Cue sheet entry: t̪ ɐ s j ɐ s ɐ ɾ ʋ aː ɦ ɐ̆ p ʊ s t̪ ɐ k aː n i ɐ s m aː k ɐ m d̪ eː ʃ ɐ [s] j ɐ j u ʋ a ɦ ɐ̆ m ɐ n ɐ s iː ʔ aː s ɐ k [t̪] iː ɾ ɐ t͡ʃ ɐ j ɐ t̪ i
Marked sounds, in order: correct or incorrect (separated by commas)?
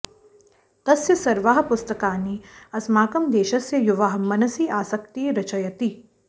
correct, correct